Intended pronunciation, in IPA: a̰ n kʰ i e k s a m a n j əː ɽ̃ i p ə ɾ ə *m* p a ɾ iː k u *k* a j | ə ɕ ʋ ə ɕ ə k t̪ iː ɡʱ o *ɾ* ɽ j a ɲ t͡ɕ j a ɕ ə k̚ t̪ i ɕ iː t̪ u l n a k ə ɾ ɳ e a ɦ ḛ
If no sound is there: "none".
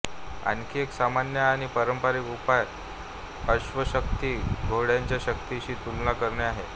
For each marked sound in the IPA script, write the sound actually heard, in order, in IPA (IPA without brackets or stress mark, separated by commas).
m, p, none